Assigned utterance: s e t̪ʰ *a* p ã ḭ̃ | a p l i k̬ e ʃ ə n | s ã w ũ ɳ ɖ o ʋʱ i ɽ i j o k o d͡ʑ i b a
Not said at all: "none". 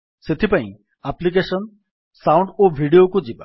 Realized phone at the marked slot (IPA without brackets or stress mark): i